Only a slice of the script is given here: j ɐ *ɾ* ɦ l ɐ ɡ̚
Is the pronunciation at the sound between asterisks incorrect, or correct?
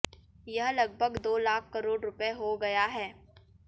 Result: incorrect